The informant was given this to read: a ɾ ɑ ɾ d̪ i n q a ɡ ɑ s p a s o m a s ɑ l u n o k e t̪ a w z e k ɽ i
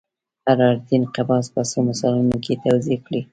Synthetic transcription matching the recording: a ɾ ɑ ɾ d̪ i n q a b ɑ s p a s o m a s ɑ l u n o k e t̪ a w z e k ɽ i